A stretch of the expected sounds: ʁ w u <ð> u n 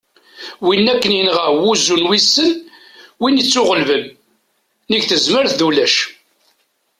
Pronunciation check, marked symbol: incorrect: z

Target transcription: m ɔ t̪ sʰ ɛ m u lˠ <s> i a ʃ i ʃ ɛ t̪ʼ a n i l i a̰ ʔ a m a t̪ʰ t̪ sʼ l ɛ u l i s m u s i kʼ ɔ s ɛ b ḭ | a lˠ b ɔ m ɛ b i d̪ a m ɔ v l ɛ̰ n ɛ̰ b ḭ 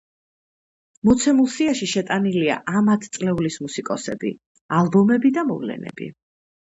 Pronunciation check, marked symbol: correct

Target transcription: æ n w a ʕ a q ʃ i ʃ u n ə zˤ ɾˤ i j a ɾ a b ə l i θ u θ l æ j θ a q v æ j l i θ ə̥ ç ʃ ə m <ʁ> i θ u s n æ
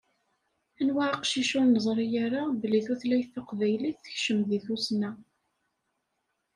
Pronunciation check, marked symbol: incorrect: ð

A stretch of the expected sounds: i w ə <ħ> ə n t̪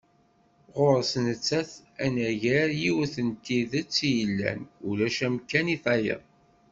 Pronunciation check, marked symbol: incorrect: θ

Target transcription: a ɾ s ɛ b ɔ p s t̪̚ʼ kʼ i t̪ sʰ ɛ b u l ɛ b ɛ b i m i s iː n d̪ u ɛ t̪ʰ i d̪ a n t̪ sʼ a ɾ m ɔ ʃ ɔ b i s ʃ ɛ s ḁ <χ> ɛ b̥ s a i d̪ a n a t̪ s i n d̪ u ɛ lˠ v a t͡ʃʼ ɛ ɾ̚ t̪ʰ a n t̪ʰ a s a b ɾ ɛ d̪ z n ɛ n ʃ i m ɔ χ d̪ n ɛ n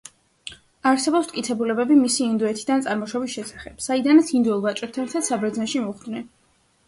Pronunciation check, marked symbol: correct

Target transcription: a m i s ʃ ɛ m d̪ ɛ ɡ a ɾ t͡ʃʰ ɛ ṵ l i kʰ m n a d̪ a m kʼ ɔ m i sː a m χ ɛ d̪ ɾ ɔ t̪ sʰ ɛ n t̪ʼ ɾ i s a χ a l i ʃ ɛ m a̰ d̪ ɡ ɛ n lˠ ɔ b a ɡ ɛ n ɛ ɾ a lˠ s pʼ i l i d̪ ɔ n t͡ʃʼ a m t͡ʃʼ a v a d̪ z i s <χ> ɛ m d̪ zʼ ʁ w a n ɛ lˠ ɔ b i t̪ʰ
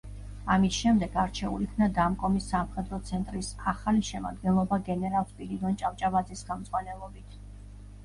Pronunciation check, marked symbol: correct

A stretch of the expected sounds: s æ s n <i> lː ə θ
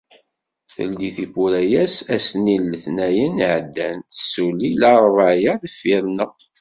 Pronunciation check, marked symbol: correct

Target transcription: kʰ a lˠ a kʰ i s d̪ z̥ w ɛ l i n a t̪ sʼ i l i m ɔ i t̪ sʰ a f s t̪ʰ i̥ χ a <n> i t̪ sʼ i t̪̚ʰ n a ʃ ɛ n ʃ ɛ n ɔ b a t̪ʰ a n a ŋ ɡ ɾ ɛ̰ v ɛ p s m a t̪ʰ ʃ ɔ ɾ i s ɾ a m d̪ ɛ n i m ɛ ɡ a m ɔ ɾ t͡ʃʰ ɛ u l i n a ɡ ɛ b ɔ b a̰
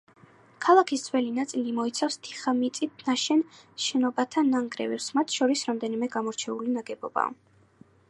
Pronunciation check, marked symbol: incorrect: m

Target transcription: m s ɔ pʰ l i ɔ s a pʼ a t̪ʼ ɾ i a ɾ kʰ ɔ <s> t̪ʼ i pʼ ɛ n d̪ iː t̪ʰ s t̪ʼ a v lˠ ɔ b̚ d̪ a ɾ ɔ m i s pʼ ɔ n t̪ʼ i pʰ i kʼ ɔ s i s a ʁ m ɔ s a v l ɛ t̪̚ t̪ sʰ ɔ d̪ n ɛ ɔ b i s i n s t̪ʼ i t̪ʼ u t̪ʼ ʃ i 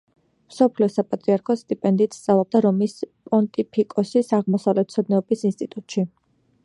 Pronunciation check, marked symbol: correct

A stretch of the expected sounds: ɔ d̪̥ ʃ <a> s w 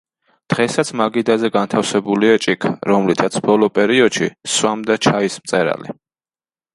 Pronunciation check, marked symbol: incorrect: i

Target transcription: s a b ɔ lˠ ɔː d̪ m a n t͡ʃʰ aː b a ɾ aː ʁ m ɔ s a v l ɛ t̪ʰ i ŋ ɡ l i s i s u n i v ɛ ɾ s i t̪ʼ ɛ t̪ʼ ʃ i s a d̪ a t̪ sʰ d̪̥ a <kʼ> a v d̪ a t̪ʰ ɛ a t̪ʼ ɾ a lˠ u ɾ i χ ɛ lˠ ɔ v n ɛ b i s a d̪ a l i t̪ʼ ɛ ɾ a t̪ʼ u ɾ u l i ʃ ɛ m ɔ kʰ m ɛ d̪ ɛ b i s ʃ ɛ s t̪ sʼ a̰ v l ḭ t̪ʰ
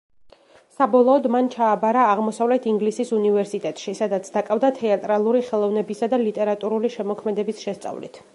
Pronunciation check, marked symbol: correct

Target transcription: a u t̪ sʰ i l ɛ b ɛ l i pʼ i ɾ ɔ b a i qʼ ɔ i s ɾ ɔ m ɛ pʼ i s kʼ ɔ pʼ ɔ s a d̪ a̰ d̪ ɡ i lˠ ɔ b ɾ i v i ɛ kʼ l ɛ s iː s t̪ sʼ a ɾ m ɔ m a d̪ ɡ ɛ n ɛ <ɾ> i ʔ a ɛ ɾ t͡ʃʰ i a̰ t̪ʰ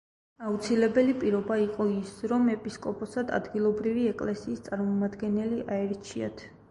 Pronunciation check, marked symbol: incorrect: l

